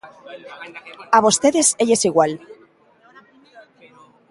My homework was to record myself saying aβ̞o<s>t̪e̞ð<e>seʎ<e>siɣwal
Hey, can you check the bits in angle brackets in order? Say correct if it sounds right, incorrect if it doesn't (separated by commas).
correct, correct, correct